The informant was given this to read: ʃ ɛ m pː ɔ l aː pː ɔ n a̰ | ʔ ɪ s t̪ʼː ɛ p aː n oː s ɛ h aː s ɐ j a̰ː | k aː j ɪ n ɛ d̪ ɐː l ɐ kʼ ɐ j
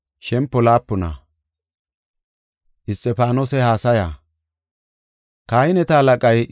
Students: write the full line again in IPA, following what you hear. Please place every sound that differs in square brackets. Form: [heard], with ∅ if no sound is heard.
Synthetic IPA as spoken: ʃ ɛ m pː ɔ l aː pː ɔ n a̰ | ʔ ɪ s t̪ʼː ɛ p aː n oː s ɛ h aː s ɐ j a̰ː | k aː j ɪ n ɛ [t̪] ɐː l ɐ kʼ ɐ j